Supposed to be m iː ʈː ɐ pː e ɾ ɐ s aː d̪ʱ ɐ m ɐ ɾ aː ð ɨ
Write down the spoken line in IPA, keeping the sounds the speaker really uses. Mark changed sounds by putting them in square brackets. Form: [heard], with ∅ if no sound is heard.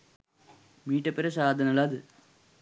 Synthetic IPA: m iː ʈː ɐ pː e ɾ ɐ s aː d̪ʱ ɐ [n] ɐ [l] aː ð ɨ